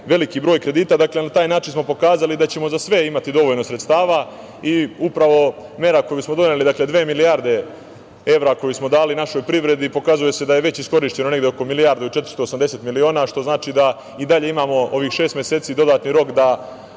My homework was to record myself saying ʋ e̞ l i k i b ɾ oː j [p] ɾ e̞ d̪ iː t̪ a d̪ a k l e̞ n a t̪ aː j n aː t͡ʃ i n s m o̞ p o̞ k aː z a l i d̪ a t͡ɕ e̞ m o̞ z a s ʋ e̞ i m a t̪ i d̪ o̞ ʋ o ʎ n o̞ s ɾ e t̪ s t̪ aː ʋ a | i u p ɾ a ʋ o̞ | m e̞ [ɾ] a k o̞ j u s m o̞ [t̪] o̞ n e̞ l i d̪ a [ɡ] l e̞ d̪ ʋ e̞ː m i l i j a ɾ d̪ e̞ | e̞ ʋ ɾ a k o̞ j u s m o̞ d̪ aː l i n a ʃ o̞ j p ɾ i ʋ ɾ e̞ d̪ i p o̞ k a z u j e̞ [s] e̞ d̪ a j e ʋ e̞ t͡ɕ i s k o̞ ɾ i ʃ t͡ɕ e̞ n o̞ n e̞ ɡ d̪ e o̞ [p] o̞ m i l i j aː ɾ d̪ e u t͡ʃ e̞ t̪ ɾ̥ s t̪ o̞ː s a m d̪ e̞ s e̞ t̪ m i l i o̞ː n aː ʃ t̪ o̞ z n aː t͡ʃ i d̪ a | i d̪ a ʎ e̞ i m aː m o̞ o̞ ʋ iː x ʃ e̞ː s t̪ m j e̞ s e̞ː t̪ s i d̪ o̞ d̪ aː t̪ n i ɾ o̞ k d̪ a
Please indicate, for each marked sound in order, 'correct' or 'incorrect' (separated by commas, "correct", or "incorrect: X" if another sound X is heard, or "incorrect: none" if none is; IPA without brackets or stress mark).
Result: incorrect: k, correct, incorrect: d̪, incorrect: k, correct, incorrect: k